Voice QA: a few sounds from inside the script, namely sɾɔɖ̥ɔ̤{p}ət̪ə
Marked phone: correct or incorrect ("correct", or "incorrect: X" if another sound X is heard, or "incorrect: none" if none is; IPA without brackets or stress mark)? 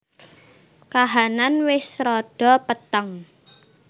correct